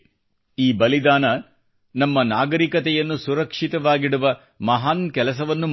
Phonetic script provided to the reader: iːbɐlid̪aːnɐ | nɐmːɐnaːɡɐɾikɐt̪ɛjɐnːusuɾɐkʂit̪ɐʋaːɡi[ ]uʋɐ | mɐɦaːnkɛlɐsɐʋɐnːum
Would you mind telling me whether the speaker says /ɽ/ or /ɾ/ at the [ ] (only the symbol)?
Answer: ɽ